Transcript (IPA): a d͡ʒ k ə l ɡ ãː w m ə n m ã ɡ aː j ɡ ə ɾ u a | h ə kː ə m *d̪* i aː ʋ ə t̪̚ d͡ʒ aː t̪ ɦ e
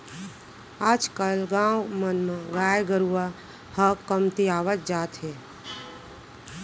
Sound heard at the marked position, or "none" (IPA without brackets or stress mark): t̪